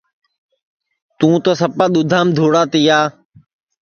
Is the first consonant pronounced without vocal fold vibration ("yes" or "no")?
yes